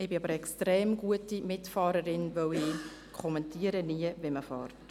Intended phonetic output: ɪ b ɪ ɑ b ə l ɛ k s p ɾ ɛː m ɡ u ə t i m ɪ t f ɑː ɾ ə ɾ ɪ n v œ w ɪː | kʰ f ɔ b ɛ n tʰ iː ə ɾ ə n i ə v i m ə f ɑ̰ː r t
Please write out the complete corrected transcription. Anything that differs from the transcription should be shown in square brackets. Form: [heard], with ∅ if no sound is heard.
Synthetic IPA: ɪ b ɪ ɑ b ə [ɾ] ɛ k s [t] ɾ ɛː m ɡ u ə t i m ɪ t f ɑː ɾ ə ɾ ɪ n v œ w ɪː | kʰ [χ] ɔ [m] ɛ n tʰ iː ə ɾ ə n i ə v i m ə f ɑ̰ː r t

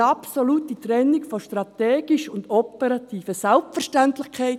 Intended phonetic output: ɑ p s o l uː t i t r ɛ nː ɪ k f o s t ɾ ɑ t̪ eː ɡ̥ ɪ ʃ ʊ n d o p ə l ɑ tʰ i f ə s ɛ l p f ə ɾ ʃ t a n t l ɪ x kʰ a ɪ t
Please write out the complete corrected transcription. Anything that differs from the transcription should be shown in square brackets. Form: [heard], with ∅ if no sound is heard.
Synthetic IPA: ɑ p s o l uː t i t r ɛ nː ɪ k f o [ʃ] t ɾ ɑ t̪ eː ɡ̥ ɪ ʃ ʊ n d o p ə [ɾ] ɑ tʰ [iː] f ə s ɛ l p f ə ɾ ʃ t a n t l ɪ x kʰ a ɪ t

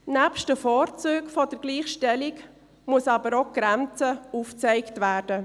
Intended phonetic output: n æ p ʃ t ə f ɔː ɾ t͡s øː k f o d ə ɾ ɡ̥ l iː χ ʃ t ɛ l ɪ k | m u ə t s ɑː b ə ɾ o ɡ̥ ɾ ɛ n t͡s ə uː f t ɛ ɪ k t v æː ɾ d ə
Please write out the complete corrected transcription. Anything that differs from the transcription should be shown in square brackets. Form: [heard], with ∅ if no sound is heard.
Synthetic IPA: n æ p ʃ t ə f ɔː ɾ t͡s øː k f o d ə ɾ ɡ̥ l iː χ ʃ t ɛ l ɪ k | m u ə [∅] s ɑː b ə ɾ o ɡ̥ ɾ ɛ n t͡s ə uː f [t͡s] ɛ ɪ k t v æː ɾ d ə

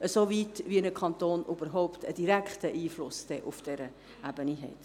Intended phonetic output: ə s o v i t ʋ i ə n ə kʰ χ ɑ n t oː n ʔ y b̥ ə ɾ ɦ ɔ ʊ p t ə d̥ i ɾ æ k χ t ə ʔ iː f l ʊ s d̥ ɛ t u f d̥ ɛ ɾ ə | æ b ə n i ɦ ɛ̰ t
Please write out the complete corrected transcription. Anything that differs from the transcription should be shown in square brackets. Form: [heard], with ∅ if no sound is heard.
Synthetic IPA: ə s o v i t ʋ i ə n ə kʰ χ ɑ n t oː n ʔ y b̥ ə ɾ ɦ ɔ ʊ p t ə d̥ i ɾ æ k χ t ə ʔ iː f l ʊ s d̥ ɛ [ʔ] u f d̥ ɛ ɾ ə | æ b ə n i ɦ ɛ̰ t

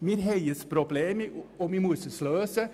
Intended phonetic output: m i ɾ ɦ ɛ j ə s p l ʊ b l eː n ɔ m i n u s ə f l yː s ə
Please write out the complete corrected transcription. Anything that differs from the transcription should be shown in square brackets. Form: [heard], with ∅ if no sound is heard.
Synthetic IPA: m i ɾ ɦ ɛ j ə s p [ɾ] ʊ b l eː [m] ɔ m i [m] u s ə [s] l [øː] s ə

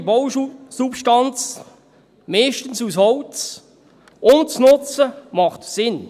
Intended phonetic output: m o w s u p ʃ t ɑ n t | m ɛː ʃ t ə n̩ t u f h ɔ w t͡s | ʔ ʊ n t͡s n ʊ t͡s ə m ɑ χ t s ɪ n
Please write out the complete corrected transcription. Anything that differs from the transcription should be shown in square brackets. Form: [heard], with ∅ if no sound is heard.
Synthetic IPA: [b] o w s u p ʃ t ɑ n [t͡s] | m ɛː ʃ t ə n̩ [s] u [s] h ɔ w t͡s | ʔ ʊ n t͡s n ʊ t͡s ə m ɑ χ t s ɪ n

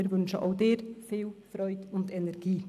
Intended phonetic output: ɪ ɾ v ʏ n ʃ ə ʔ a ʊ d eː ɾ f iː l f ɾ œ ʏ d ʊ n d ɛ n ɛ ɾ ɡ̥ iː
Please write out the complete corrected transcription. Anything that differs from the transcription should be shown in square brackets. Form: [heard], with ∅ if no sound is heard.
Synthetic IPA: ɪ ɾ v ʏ n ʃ ə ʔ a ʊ d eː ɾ f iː l f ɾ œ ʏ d ʊ n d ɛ n ɛ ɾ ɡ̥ iː

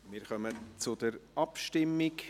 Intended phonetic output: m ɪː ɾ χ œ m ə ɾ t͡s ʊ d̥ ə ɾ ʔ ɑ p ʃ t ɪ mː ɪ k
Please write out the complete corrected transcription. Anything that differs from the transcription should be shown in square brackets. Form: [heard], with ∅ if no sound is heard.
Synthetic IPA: m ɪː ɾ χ œ m ə [∅] t͡s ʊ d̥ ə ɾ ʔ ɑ p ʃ t ɪ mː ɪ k

